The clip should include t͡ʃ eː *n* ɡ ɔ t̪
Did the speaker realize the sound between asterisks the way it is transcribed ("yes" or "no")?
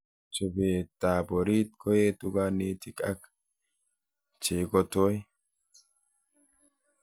no